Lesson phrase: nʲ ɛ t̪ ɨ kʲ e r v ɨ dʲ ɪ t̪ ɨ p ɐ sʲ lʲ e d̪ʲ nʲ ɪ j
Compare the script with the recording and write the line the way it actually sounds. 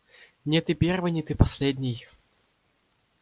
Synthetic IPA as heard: nʲ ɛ t̪ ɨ pʲ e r v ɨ nʲ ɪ t̪ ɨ p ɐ sʲ lʲ e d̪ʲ nʲ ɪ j

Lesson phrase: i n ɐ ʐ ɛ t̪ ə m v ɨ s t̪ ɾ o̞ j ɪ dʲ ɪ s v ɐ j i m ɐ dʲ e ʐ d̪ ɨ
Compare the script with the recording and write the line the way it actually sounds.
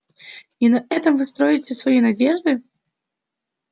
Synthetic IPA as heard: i n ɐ ɛ t̪ ə m v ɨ s t̪ ɾ o̞ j ɪ tʲ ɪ s v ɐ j i n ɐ dʲ e ʐ d̪ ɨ

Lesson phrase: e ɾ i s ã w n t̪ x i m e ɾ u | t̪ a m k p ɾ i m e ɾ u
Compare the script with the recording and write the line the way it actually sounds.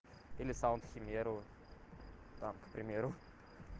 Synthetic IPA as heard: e l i s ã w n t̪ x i m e ɾ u | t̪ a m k p ɾ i m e ɾ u

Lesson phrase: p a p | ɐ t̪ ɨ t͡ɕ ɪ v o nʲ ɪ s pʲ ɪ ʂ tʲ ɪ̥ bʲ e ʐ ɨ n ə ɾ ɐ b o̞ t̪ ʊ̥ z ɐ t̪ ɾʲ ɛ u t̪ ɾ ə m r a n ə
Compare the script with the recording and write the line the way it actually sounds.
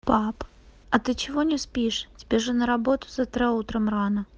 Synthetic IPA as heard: p a p | ɐ t̪ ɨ t͡ɕ ɪ v o nʲ ɪ s pʲ i ʂ tʲ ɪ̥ bʲ e ʐ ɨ n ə ɾ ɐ b o̞ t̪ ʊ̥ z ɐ t̪ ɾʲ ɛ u t̪ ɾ ə m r a n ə

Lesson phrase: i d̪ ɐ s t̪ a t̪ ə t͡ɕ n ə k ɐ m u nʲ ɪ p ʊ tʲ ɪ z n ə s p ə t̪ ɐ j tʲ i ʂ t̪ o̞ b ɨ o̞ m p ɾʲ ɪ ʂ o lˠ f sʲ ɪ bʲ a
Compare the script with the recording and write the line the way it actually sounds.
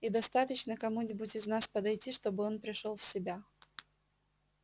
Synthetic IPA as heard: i d̪ ɐ s t̪ a t̪ ə t͡ɕ n ə k ɐ m u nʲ ɪ b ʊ tʲ ɪ z n a s p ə d̪ ɐ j tʲ i ʂ t̪ o̞ b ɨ o̞ n p ɾʲ ɪ ʂ o lˠ f sʲ ɪ bʲ a

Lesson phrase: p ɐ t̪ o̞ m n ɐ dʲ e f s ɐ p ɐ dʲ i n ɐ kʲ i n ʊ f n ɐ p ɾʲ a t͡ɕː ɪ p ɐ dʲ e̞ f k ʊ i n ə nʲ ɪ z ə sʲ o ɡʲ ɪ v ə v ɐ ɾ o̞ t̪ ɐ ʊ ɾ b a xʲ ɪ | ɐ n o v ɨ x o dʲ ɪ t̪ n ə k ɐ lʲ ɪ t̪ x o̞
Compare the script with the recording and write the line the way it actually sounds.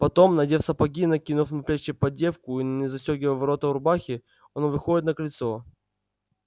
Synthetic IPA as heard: p ɐ t̪ o̞ m n ɐ dʲ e f s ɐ p ɐ ɡʲ i n ɐ kʲ i n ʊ f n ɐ p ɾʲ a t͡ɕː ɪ p ɐ dʲ e̞ f k ʊ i n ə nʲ ɪ z ɐ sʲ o ɡʲ ɪ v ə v ɐ ɾ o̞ t̪ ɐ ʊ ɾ b a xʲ ɪ | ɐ n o v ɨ x o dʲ ɪ t̪ n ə k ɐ lʲ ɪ t̪ s o̞

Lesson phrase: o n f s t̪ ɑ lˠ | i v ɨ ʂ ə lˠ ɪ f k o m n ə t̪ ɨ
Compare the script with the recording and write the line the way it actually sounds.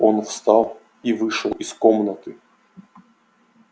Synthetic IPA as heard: o n f s t̪ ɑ lˠ | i v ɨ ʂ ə lˠ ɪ s k o m n ə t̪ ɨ

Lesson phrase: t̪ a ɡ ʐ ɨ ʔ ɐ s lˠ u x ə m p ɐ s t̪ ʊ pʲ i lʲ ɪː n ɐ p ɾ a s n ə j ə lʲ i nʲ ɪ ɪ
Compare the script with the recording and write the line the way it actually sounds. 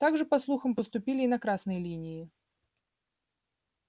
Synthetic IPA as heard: t̪ a ɡ ʐ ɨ p ɐ s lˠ u x ə m p ə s t̪ ʊ pʲ i lʲ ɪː n ɐ k ɾ a s n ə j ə lʲ i nʲ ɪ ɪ

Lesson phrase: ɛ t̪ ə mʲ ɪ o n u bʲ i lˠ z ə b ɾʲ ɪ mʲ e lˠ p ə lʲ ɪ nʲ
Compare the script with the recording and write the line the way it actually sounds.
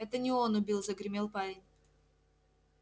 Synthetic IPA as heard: ɛ t̪ ə nʲ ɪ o n ʊ bʲ i lˠ z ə ɡ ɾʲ ɪ mʲ e lˠ p a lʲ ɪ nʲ

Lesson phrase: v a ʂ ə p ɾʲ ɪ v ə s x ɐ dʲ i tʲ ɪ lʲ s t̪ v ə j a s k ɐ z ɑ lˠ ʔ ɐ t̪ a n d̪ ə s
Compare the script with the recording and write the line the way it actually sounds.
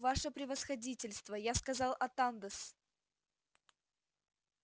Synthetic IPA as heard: v a ʂ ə p ɾʲ ɪ v ə s x ɐ dʲ i tʲ ɪ lʲ s t̪ v ə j a s k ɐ z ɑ lˠ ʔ ɐ t̪ a n d̪ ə s

